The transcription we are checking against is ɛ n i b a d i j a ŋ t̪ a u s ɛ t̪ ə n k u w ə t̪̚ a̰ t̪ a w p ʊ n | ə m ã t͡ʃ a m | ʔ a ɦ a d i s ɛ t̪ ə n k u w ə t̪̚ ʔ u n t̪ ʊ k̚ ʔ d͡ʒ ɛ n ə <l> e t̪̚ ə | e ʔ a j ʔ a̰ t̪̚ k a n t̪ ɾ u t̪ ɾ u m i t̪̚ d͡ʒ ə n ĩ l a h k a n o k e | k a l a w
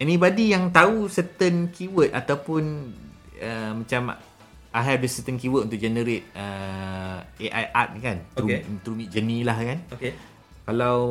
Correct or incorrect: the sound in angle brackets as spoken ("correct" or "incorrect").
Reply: incorrect